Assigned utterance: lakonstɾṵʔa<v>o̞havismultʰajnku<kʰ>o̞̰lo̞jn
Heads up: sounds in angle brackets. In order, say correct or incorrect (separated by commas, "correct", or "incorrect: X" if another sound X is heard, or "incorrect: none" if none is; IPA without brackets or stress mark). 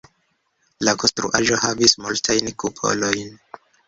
incorrect: ʒ, incorrect: pʰ